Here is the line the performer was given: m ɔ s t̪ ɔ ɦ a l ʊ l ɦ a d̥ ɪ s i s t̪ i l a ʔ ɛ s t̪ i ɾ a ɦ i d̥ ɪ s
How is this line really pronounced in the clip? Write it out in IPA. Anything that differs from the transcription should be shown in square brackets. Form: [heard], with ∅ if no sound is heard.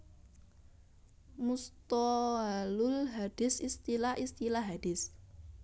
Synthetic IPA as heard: m [u] s t̪ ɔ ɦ a l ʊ l ɦ a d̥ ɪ s i s t̪ i l a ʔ [i] s t̪ i [l] a ɦ [a] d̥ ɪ s